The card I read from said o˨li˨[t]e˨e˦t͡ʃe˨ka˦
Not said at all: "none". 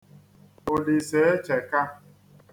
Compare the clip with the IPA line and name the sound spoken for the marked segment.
s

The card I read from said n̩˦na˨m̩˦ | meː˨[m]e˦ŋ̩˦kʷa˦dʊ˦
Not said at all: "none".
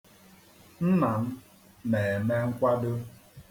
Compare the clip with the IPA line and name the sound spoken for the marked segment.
m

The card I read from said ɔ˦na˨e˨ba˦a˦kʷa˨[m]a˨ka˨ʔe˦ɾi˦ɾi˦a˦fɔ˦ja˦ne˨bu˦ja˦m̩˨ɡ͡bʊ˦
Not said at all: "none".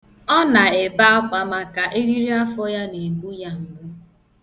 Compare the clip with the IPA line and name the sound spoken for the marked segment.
m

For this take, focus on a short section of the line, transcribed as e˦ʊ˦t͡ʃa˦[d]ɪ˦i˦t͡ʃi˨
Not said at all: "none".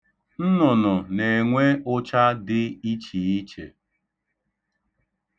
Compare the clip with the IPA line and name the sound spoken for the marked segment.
d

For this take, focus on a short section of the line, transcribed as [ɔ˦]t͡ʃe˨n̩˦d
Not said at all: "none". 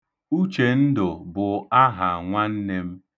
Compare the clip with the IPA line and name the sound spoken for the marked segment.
u˦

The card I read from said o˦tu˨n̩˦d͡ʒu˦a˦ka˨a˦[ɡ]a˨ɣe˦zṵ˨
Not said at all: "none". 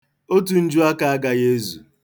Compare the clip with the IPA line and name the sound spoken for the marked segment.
ɡ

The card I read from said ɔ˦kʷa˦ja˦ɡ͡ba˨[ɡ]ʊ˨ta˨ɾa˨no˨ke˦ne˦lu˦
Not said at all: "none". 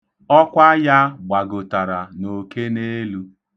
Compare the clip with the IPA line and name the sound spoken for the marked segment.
ɡ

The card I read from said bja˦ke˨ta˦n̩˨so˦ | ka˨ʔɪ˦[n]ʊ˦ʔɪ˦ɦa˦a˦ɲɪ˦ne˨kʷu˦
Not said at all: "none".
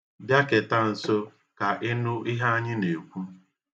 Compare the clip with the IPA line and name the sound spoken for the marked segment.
n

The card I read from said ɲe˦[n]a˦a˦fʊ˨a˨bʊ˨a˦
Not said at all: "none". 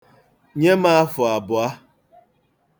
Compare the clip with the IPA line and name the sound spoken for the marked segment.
m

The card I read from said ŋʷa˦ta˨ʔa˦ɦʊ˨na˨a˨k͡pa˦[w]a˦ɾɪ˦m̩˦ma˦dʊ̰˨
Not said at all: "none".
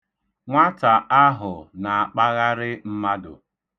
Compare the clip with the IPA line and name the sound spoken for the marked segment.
ɣ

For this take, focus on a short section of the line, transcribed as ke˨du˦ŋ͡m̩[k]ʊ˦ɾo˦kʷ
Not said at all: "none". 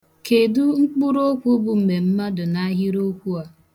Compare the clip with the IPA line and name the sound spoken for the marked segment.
k͡p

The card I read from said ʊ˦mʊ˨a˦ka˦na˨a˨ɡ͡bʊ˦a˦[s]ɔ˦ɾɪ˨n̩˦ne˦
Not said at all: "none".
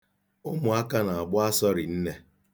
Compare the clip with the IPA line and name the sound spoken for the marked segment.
s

